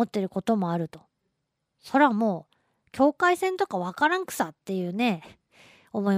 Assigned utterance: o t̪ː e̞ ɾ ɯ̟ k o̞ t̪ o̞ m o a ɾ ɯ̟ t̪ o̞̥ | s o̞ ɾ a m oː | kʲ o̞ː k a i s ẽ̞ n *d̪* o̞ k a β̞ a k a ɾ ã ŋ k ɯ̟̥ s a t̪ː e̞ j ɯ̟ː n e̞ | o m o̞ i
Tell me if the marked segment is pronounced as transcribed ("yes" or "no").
no